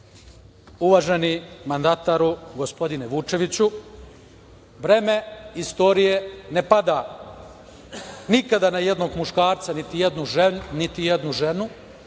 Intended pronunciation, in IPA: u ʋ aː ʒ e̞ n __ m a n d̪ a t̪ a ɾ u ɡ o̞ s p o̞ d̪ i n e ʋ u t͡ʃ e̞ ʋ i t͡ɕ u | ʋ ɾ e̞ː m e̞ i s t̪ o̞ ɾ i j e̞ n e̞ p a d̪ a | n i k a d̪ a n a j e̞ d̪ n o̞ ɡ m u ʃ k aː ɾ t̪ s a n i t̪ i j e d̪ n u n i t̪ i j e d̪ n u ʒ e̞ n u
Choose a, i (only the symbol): i